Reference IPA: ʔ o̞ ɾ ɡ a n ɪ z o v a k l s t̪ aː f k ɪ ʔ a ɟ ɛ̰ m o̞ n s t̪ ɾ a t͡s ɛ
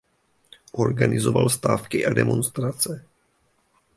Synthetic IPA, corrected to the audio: ʔ o̞ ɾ ɡ a n ɪ z o v a l s t̪ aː f k ɪ ʔ a d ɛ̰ m o̞ n s t̪ ɾ a t͡s ɛ